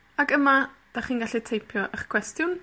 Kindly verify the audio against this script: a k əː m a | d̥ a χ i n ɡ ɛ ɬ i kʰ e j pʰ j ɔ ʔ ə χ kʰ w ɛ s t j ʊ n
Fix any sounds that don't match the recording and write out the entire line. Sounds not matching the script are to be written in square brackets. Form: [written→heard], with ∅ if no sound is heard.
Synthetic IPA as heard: a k [əː→ə] m a | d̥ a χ [i→iː] n ɡ [ɛ→a] ɬ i [kʰ→tʰ] e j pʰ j ɔ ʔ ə χ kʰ w ɛ s t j ʊ n